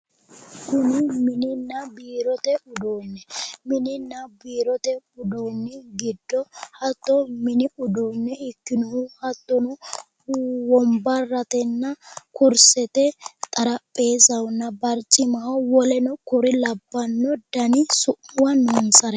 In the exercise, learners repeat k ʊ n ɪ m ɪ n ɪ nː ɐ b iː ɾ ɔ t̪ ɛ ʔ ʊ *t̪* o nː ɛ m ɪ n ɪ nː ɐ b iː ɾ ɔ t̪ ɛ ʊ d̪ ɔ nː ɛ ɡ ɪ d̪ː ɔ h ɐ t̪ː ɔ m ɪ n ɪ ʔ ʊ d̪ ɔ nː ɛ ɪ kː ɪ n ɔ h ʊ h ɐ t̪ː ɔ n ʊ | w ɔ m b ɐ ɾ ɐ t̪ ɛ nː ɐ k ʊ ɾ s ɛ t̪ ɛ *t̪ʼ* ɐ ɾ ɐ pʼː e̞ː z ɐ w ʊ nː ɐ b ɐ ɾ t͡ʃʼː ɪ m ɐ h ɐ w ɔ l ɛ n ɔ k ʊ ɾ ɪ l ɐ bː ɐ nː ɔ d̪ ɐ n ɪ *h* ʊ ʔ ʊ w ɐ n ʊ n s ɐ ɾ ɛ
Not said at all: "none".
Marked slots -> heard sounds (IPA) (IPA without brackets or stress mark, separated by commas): d̪, t̪ʼ, s